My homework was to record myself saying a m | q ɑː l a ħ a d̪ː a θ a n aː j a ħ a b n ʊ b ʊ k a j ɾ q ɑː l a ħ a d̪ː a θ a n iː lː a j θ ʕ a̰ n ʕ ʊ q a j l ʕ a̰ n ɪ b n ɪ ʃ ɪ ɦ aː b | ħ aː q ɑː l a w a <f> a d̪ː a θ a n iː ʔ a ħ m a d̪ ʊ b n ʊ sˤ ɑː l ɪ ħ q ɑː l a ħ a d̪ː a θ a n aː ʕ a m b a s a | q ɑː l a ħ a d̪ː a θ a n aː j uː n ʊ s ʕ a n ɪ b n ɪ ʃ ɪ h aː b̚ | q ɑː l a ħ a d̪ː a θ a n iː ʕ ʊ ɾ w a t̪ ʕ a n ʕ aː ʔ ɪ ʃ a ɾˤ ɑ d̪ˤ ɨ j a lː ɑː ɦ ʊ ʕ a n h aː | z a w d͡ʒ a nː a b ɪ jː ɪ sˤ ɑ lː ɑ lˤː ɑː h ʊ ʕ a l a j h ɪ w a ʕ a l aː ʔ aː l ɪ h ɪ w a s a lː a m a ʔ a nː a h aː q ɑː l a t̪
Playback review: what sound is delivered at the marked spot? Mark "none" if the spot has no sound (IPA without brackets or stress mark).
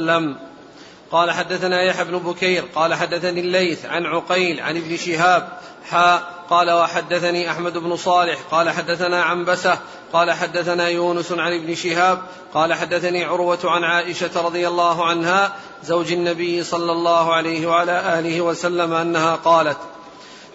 ħ